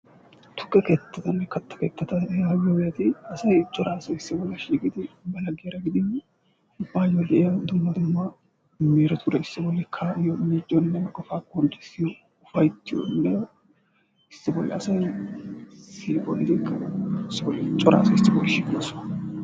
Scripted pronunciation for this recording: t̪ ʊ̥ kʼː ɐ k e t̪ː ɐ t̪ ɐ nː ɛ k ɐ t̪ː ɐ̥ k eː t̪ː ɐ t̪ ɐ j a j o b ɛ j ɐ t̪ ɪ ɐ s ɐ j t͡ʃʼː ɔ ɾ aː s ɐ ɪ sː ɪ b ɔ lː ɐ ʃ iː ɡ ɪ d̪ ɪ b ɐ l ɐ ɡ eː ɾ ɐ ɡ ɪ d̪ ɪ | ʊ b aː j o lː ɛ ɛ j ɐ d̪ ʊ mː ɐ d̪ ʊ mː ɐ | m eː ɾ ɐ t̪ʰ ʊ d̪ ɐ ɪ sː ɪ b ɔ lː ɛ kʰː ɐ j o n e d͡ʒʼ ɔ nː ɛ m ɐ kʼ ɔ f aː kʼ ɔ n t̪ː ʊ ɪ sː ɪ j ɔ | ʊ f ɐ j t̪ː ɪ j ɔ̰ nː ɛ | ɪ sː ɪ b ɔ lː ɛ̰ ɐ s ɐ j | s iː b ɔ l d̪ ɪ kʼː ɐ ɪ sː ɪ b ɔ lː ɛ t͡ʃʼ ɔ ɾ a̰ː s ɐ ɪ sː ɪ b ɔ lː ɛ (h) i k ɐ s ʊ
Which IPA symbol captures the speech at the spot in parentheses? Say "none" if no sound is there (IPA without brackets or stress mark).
ʃ